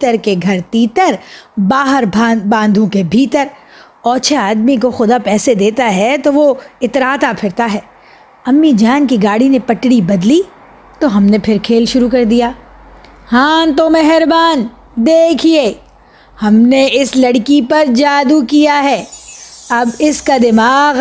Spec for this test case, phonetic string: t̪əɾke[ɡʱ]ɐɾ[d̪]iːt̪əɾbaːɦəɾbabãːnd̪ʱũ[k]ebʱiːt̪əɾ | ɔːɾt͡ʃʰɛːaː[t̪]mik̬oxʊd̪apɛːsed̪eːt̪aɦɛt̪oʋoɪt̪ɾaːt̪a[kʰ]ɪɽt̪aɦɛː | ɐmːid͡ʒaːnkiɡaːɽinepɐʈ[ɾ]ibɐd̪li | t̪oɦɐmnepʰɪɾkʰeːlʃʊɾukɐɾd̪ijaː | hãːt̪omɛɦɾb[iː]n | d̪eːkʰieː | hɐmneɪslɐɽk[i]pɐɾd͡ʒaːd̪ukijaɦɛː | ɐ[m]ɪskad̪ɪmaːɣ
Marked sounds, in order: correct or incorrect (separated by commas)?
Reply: correct, incorrect, correct, incorrect, incorrect, incorrect, incorrect, correct, incorrect